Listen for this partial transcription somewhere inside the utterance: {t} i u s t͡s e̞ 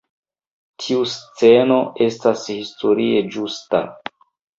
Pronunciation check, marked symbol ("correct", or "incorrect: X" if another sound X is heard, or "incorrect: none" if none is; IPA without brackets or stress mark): incorrect: tʰ